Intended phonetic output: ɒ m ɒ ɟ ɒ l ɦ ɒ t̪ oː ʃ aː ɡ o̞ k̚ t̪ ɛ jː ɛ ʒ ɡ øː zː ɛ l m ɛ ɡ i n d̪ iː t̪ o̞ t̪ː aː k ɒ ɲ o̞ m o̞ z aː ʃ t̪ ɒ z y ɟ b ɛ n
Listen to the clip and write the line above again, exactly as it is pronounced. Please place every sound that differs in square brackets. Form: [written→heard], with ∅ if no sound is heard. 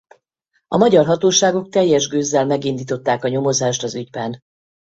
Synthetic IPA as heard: ɒ m ɒ ɟ ɒ [l→r] ɦ ɒ t̪ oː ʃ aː ɡ o̞ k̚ t̪ ɛ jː ɛ ʒ ɡ øː zː ɛ l m ɛ ɡ i n d̪ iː t̪ o̞ t̪ː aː k ɒ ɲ o̞ m o̞ z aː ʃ t̪ ɒ z y ɟ b ɛ n